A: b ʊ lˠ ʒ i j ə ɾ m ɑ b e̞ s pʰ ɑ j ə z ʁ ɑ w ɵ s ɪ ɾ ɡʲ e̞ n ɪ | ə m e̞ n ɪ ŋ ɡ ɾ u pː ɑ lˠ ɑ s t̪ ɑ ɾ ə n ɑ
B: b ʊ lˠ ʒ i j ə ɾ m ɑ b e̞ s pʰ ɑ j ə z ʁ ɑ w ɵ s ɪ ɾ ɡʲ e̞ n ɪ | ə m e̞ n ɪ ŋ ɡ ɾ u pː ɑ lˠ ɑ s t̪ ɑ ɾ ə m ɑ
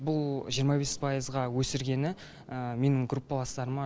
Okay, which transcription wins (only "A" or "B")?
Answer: B